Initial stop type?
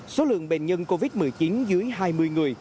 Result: implosive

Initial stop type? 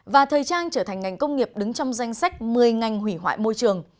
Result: aspirated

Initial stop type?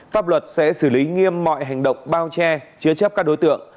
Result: plain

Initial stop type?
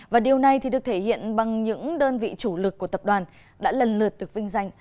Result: implosive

